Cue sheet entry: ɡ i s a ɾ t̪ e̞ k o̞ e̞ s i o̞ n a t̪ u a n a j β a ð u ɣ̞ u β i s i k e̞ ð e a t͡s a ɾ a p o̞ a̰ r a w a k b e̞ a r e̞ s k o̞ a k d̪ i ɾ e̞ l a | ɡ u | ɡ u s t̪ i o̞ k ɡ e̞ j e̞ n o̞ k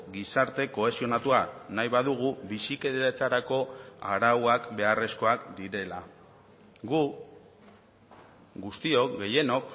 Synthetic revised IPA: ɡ i s a ɾ t̪ e̞ k o̞ e̞ s i o̞ n a t̪ u a n a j β a ð u ɣ̞ u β i s i k e̞ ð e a t͡s a ɾ a k o̞ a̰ ɾ a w a k b e̞ a r e̞ s k o̞ a k d̪ i ɾ e̞ l a | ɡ u | ɡ u s t̪ i o̞ k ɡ e̞ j e̞ n o̞ k